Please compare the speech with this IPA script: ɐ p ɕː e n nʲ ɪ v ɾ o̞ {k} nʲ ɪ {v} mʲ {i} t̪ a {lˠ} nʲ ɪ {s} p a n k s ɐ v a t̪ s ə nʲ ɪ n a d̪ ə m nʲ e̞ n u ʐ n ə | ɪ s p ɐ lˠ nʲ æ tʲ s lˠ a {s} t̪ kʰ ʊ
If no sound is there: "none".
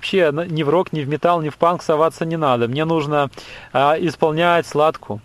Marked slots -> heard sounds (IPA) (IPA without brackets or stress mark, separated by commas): k, v, ɪ, lˠ, f, none